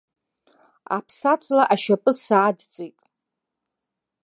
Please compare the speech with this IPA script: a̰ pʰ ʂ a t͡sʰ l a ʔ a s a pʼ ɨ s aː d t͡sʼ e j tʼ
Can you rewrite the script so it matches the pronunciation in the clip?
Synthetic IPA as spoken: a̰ pʰ s a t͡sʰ l a ʔ a ʃ a pʼ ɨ s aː d t͡sʼ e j tʼ